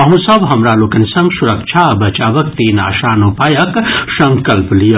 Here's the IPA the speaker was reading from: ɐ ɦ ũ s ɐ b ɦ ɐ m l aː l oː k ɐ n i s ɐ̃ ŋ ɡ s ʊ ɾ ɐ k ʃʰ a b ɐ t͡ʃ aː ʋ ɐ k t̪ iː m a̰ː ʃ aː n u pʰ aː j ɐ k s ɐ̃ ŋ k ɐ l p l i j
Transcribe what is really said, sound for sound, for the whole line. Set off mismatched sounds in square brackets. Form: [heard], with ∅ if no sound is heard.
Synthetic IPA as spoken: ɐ ɦ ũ s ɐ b ɦ ɐ m [ɾ] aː l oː k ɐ n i s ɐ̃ ŋ ɡ s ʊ ɾ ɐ k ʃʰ a b ɐ t͡ʃ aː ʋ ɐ k t̪ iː [n] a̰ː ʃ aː n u [p] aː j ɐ k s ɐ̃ ŋ k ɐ l p l i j